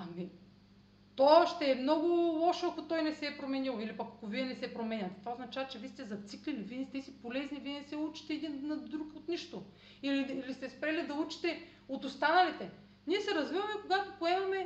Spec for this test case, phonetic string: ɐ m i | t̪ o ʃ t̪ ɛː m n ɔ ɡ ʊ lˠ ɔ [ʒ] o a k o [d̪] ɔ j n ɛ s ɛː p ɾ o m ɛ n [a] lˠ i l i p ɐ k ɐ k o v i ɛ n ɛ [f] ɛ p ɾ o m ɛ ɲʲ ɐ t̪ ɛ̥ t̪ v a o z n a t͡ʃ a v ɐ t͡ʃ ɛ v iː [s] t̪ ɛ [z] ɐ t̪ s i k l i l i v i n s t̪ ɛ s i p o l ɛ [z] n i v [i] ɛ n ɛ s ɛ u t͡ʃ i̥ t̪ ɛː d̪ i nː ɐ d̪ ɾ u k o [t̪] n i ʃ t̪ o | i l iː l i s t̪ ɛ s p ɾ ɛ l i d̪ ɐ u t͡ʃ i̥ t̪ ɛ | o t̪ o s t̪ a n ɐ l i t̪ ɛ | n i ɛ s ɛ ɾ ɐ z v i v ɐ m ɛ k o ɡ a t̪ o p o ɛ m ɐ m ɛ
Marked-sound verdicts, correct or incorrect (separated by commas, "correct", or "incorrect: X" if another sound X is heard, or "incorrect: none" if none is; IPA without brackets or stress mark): incorrect: ʃ, incorrect: t̪, incorrect: i, incorrect: s, correct, correct, correct, correct, correct